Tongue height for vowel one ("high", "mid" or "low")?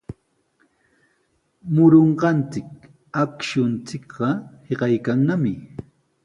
high